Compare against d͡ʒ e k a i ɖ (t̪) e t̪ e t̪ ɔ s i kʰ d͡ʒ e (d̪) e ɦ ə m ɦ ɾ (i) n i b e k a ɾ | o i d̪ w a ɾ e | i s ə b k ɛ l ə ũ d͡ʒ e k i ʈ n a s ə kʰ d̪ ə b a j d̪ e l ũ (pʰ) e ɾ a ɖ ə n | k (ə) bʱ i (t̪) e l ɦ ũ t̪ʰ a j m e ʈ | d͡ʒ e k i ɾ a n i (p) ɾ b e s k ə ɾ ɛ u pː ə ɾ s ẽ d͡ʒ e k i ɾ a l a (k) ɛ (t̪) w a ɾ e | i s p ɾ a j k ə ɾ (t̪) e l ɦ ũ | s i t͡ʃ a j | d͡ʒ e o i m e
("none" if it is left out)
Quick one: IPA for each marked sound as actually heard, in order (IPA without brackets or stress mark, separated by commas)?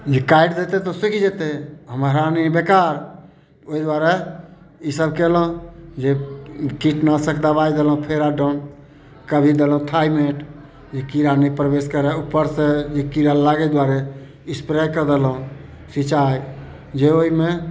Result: d̪, t̪, a, pʰ, ə, d̪, p, ɡ, d̪, d̪